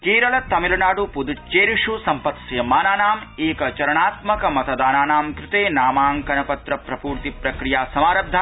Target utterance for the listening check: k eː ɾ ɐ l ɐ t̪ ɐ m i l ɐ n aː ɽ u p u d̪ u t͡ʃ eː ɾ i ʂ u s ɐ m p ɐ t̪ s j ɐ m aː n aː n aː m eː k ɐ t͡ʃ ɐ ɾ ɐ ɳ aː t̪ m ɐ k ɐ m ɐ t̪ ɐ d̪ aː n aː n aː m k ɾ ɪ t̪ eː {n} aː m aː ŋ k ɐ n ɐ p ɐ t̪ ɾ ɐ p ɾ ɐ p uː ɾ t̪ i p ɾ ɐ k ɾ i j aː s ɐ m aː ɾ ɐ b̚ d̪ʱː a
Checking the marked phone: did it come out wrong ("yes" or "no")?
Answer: no